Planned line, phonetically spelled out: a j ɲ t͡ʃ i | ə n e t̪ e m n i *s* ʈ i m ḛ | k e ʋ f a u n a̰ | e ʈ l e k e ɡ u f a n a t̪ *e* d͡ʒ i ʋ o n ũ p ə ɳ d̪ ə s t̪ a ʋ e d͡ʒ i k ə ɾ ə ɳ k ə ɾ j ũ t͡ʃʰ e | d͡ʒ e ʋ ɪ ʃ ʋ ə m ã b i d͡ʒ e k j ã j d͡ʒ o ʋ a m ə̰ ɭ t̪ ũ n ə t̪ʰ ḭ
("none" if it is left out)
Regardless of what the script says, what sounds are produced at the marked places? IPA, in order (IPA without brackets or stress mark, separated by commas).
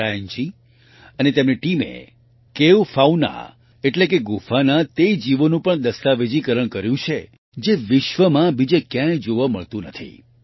none, e